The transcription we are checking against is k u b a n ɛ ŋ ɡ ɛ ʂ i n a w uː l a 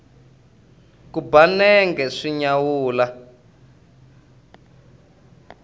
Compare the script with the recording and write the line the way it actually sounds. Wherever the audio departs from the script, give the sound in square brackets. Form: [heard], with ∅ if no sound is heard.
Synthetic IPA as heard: k u b a n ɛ ŋ ɡ ɛ ʂ i [ɲ] a w uː l a